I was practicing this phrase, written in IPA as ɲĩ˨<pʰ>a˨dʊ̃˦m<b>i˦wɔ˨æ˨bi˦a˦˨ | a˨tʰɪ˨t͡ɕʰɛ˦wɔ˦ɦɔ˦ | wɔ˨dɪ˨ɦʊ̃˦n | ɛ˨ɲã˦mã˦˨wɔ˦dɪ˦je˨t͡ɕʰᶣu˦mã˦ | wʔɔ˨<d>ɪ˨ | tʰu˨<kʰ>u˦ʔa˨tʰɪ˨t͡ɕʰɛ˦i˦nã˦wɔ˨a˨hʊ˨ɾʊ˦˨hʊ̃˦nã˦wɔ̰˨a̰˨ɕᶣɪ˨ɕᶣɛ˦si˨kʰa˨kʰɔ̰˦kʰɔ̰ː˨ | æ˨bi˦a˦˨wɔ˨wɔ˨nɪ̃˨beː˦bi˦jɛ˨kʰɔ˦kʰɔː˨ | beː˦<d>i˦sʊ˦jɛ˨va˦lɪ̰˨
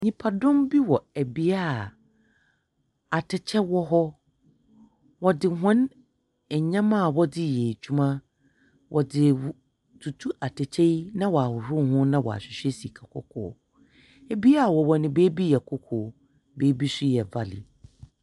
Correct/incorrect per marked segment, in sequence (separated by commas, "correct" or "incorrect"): correct, correct, correct, incorrect, incorrect